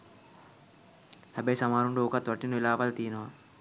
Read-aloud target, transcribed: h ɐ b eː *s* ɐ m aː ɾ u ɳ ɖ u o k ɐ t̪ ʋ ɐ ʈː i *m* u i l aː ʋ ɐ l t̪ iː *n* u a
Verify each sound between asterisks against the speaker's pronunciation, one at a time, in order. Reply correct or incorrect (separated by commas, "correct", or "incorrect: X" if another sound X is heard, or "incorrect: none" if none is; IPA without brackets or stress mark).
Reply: correct, incorrect: n, correct